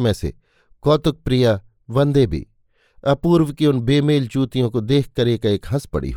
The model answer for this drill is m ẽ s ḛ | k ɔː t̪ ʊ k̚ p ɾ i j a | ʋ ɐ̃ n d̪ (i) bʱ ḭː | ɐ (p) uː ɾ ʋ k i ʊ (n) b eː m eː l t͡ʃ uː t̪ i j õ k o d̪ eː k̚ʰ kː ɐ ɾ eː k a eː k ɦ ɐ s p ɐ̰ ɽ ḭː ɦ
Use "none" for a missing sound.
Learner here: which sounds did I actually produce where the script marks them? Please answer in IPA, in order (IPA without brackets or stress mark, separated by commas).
e, p, n